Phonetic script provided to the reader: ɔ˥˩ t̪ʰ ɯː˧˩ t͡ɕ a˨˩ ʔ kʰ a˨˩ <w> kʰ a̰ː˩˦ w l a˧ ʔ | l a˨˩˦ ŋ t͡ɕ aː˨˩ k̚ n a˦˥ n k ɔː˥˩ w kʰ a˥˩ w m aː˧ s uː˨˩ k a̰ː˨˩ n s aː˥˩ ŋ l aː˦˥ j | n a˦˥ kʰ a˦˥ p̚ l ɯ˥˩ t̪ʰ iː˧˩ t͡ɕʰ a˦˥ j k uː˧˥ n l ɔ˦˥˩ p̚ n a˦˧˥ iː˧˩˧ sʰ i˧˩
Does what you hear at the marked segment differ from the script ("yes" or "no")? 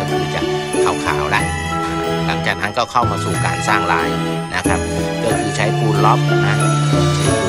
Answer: no